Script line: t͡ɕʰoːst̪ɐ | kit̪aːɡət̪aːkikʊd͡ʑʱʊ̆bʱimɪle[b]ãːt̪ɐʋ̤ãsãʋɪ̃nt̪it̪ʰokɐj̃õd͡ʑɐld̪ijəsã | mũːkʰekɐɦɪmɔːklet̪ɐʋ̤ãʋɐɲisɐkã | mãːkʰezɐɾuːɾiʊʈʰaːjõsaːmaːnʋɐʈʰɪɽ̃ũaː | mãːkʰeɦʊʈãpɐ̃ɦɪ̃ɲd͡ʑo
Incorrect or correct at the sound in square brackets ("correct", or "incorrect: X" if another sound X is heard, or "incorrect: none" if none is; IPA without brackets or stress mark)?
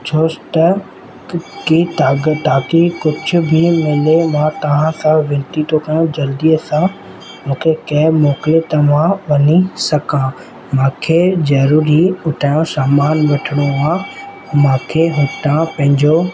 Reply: incorrect: m